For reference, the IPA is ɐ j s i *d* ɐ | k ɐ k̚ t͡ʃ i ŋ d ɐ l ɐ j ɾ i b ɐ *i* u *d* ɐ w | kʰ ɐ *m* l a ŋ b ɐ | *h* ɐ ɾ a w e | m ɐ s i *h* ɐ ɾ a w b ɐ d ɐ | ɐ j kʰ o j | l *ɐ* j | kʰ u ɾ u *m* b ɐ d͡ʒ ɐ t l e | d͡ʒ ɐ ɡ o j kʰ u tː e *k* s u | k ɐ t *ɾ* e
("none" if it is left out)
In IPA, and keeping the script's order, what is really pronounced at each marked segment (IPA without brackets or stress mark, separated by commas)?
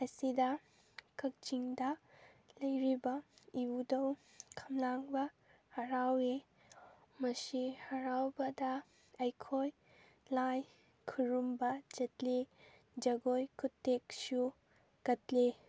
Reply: d, i, d, m, h, h, a, m, k, l